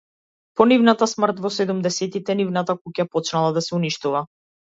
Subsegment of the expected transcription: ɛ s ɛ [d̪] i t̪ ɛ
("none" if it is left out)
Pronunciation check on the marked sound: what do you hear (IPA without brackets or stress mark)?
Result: t̪